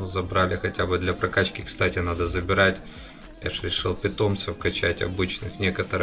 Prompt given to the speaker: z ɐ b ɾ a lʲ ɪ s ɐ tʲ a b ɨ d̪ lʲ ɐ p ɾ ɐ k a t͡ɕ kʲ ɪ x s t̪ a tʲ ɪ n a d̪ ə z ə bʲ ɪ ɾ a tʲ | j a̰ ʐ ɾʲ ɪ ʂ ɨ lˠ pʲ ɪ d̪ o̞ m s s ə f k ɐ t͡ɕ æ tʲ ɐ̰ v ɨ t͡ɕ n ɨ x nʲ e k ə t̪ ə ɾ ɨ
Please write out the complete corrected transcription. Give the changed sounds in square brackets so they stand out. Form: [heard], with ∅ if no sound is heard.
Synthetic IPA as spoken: z ɐ b ɾ a lʲ ɪ [x] ɐ tʲ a b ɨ d̪ lʲ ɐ p ɾ ɐ k a t͡ɕ kʲ ɪ [k] s t̪ a tʲ ɪ n a d̪ ə z ə bʲ ɪ ɾ a tʲ | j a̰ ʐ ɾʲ ɪ ʂ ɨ lˠ pʲ ɪ [t̪] o̞ m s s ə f k ɐ t͡ɕ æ tʲ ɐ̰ [b] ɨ t͡ɕ n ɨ x nʲ e k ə t̪ ə ɾ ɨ

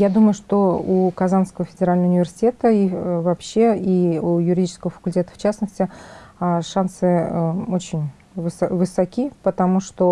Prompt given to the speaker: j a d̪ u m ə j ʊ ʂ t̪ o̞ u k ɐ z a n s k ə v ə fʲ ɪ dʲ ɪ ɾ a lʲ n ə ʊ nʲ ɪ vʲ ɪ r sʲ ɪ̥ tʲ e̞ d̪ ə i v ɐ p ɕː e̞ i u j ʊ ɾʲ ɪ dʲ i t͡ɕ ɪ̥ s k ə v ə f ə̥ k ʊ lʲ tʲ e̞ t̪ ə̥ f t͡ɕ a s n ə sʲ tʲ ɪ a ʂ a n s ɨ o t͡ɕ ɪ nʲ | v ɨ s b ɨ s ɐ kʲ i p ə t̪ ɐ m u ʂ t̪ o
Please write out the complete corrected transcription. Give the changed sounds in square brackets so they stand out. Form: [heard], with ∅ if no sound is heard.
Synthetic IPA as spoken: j a d̪ u m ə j ʊ ʂ t̪ o̞ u k ɐ z a n s k ə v ə fʲ ɪ dʲ ɪ ɾ a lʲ n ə ʊ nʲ ɪ vʲ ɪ r sʲ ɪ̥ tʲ e̞ [t̪] ə i v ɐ p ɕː e̞ i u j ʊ ɾʲ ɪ dʲ i t͡ɕ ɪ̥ s k ə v ə f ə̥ k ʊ lʲ tʲ e̞ t̪ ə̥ f t͡ɕ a s n ə sʲ tʲ ɪ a ʂ a n s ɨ o t͡ɕ ɪ nʲ | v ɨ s [v] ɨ s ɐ kʲ i p ə t̪ ɐ m u ʂ t̪ o

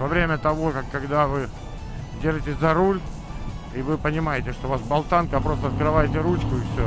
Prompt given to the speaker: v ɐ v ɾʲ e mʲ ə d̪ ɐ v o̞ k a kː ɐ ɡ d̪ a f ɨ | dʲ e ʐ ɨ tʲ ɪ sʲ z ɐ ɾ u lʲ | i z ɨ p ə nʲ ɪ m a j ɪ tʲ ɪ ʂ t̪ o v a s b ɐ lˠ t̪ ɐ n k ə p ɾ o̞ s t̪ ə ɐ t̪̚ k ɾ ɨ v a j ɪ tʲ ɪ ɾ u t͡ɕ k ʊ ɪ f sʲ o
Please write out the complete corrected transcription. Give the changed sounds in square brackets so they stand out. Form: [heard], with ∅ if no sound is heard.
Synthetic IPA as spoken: v ɐ v ɾʲ e mʲ ə [t̪] ɐ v o̞ k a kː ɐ ɡ d̪ a [v] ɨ | dʲ e ʐ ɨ tʲ ɪ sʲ z ɐ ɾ u lʲ | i [v] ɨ p ə nʲ ɪ m a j ɪ tʲ ɪ ʂ t̪ o v a s b ɐ lˠ t̪ [a] n k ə p ɾ o̞ s t̪ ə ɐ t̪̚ k ɾ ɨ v a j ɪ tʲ ɪ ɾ u t͡ɕ k ʊ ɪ f sʲ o

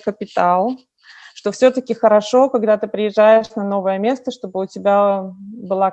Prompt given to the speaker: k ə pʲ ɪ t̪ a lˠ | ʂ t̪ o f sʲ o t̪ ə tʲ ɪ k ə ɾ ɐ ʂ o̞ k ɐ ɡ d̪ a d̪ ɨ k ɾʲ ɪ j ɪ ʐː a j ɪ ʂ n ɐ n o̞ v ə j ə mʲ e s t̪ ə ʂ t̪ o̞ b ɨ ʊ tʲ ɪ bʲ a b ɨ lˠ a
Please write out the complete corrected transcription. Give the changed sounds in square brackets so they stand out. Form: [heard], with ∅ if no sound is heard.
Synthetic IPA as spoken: k ə pʲ ɪ t̪ a lˠ | ʂ t̪ o f sʲ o t̪ ə [kʲ] ɪ [x] ə ɾ ɐ ʂ o̞ k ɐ ɡ d̪ a [t̪] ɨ [p] ɾʲ ɪ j ɪ ʐː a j ɪ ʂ n ɐ n o̞ v ə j ə mʲ e s t̪ ə ʂ t̪ o̞ b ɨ ʊ tʲ ɪ bʲ a b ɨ lˠ a

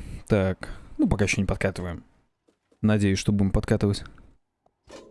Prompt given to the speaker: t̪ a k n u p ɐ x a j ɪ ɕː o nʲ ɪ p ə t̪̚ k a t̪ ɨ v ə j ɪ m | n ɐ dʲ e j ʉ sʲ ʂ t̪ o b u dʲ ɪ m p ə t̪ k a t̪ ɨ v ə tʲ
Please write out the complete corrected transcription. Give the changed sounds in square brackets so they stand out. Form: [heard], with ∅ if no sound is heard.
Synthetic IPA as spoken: t̪ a k n u p ɐ [k] a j ɪ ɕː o nʲ ɪ p [ɐ] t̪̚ k a t̪ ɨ v ə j ɪ m | n ɐ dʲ e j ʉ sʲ ʂ t̪ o b u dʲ ɪ m p [ɐ] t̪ k a t̪ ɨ v ə tʲ

